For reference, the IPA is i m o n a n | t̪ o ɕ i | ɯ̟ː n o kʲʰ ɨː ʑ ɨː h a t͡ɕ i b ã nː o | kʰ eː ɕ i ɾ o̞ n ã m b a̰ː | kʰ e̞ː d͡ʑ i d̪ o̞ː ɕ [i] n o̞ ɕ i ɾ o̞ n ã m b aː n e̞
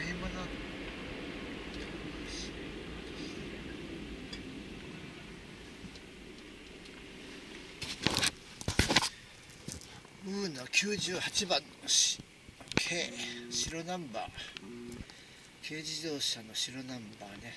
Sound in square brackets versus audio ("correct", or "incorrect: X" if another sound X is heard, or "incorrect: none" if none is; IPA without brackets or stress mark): incorrect: a